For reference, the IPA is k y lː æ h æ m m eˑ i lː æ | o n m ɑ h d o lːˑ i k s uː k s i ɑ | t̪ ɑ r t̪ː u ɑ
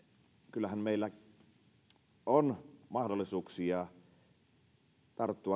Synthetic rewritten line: k y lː æ h æ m m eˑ i lː æ | o n m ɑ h d o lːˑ i s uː k s i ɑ | t̪ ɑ r t̪ː u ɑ